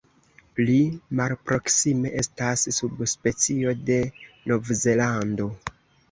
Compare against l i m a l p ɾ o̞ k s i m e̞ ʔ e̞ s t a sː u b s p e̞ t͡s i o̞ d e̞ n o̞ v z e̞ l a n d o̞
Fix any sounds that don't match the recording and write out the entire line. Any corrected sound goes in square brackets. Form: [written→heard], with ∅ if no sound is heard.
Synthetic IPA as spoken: l i m a l p ɾ o̞ k s i m e̞ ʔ e̞ s t a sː u b s p e̞ t͡s i o̞ d e̞ n o̞ v z e̞ l a n d o̞